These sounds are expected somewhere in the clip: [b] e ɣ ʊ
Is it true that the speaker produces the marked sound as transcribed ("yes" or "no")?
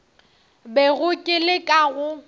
yes